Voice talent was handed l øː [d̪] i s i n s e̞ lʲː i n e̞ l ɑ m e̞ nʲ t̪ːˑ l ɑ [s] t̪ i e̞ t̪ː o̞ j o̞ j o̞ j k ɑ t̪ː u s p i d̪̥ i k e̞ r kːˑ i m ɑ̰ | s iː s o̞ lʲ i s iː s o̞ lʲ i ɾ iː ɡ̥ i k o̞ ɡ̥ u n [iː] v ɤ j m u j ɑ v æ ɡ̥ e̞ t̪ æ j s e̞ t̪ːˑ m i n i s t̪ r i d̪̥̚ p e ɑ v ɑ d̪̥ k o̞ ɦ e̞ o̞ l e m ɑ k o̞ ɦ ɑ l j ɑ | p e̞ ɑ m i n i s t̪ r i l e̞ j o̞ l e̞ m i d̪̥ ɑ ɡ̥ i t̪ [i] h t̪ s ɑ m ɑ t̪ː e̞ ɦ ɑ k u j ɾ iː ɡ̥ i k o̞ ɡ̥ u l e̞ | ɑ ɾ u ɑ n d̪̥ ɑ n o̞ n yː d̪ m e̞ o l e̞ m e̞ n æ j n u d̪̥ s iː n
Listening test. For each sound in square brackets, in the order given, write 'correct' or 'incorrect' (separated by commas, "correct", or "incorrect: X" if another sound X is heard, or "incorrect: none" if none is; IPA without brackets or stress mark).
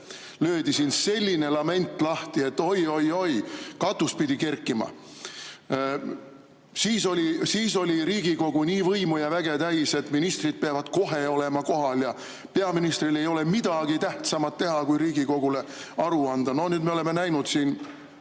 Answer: correct, incorrect: h, correct, incorrect: æ